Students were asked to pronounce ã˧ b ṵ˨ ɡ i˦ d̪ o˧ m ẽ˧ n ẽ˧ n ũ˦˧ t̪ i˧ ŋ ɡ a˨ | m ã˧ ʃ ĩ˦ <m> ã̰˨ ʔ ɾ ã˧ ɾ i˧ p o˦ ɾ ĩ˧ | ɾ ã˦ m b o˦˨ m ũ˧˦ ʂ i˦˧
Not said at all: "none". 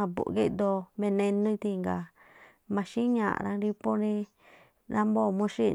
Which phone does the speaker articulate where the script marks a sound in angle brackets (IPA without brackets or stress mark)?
ɲ